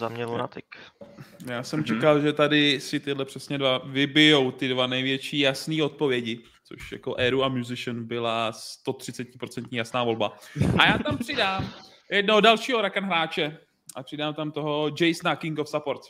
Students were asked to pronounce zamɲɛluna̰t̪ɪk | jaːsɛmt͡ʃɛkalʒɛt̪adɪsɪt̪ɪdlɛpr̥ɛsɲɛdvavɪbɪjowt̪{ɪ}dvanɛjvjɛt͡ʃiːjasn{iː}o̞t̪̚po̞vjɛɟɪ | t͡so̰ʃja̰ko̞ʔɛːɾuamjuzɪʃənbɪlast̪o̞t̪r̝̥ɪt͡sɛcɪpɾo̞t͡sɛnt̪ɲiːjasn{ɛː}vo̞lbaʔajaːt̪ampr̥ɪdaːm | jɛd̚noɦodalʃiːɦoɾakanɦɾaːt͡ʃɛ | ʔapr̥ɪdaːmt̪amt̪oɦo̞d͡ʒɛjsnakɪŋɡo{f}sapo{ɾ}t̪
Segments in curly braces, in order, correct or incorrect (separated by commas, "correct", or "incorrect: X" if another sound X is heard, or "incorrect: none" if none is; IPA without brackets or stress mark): correct, correct, incorrect: aː, correct, correct